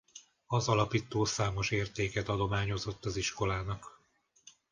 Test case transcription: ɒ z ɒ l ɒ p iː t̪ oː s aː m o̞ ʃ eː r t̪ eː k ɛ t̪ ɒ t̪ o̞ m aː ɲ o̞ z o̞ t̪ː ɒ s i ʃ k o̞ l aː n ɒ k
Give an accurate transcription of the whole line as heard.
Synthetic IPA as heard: ɒ z ɒ l ɒ p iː t̪ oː s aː m o̞ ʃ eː r t̪ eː k ɛ t̪ ɒ d̪ o̞ m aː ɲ o̞ z o̞ t̪ː ɒ z i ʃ k o̞ l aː n ɒ k